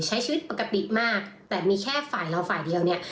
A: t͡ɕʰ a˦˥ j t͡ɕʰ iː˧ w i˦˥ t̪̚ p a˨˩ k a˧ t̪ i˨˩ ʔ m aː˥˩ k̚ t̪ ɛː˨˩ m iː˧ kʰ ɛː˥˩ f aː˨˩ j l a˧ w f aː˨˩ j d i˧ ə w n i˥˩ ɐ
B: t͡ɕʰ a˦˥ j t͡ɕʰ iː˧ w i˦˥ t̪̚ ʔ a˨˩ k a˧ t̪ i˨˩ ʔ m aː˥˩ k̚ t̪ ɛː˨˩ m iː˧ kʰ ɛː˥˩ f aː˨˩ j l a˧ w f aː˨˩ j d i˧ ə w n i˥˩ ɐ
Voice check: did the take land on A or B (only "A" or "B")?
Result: A